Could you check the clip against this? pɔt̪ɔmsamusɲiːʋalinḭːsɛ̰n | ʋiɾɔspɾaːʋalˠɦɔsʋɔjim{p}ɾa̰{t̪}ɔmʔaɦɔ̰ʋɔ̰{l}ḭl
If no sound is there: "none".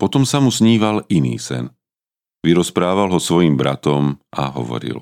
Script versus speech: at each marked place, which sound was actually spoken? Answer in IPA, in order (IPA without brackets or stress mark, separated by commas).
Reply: b, t̪, ɾ